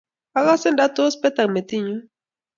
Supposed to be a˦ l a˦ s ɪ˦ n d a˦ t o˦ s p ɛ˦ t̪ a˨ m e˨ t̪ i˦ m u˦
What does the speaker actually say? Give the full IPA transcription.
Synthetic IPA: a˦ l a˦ s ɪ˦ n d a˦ t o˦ s p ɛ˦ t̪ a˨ m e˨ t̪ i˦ ɲ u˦